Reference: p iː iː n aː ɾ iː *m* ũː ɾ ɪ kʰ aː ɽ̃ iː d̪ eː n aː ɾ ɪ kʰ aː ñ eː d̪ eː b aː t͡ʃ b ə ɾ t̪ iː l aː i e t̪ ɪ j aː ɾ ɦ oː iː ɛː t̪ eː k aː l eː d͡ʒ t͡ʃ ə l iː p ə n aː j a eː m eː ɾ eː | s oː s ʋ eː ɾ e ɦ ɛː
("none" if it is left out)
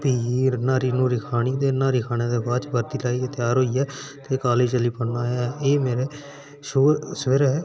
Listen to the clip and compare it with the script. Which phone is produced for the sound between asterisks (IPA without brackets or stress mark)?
n